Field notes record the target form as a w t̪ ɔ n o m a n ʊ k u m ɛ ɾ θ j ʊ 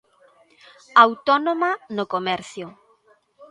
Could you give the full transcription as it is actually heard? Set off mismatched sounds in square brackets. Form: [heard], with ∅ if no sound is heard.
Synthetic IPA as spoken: a w t̪ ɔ n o m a n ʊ k [o] m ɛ ɾ θ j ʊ

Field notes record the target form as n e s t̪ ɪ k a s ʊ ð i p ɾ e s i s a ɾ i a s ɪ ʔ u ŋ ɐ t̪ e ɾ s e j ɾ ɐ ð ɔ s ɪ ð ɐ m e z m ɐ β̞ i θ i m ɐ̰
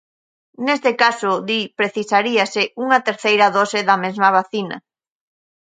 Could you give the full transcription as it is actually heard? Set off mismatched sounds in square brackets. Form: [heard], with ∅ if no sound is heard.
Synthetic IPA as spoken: n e s t̪ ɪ k a s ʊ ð i p ɾ e [θ] i s a ɾ i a s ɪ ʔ u ŋ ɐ t̪ e ɾ [θ] e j ɾ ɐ ð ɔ s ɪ ð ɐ m e z m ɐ β̞ [a] θ i [n] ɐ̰

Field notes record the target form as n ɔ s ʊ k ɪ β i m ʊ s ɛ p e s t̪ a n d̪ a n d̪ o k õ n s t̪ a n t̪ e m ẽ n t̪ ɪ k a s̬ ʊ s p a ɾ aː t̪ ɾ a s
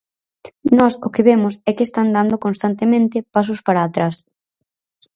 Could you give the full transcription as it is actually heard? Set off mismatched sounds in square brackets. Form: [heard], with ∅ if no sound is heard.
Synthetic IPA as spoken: n ɔ s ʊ k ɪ β [e] m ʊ s ɛ [k] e s t̪ a n d̪ a n d̪ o k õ n s t̪ a n t̪ e m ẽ n t̪ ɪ [p] a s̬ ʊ s p a ɾ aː t̪ ɾ a s

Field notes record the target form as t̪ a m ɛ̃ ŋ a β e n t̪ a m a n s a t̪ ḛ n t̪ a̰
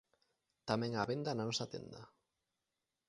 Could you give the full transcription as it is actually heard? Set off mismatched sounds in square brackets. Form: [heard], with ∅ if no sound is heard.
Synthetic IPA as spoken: t̪ a m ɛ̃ ŋ a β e n [d̪] a [n] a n s a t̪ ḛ n [d̪] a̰

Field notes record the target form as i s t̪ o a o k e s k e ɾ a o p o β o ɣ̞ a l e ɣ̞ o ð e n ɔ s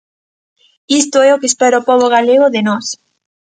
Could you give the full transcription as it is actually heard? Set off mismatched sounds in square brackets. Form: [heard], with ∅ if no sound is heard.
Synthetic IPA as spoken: i s t̪ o [ɛ] o k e s [p] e ɾ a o p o β o ɣ̞ a l e ɣ̞ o ð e n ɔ s

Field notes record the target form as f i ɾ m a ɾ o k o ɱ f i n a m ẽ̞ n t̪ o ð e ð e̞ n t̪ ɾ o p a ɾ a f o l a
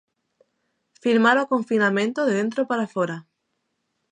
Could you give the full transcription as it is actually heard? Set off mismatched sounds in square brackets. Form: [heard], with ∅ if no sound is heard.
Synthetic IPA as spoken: f i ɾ m a ɾ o k o ɱ f i n a m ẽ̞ n t̪ o ð e ð e̞ n t̪ ɾ o p a ɾ a f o [ɾ] a

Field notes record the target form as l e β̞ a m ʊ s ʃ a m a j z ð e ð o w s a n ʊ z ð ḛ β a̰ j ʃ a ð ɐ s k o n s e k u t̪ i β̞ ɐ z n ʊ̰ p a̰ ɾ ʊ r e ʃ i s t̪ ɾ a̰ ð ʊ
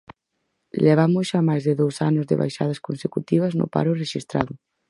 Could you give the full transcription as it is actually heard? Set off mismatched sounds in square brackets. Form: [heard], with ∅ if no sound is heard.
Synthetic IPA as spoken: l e β̞ a m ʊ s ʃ a m a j z ð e ð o w s a n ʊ z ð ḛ β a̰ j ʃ a ð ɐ s k o n s e k u t̪ i β̞ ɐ z n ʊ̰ p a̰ ɾ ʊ r e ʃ i s t̪ ɾ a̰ ð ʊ

